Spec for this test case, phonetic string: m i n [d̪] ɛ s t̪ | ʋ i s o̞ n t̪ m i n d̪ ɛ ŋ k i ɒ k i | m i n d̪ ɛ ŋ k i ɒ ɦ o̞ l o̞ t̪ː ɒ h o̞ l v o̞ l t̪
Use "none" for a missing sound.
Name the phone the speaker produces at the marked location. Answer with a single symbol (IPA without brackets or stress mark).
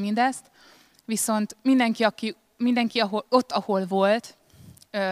d̪